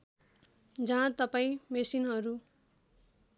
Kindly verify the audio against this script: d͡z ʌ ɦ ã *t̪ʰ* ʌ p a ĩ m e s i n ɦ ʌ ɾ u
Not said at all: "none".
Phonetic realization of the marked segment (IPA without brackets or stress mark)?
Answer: t̪